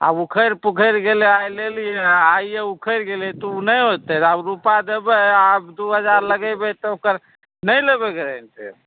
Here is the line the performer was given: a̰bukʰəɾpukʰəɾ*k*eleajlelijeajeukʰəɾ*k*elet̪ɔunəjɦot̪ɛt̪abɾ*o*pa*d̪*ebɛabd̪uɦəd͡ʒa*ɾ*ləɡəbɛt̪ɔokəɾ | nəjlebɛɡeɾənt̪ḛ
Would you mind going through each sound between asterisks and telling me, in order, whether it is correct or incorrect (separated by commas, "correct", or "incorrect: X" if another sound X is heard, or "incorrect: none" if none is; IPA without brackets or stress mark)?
incorrect: ɡ, incorrect: ɡ, incorrect: u, correct, correct